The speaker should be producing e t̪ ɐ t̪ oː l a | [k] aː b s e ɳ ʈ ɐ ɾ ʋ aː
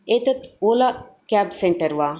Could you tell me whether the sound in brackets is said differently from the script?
no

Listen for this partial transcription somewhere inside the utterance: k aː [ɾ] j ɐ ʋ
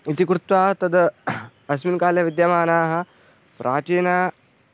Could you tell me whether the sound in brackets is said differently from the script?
yes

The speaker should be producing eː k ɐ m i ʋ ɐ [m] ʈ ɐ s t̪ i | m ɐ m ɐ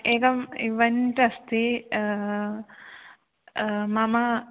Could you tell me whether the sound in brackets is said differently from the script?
yes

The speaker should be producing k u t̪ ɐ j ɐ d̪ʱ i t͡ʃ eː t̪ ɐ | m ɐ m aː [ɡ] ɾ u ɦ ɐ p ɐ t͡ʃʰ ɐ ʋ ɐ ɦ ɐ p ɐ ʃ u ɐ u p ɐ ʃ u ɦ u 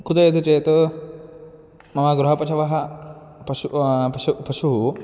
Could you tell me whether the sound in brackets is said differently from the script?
no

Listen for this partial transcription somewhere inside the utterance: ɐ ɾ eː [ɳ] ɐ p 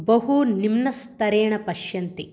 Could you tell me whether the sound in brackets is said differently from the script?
no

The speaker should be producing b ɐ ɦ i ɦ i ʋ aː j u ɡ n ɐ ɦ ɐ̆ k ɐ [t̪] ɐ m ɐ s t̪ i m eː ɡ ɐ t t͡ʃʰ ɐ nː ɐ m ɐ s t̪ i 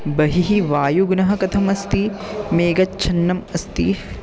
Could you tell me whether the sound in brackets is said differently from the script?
yes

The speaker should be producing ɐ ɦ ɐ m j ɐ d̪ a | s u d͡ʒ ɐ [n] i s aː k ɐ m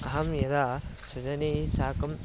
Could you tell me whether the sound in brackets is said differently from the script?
no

